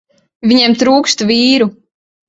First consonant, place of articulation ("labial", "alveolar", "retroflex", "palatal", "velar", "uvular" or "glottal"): labial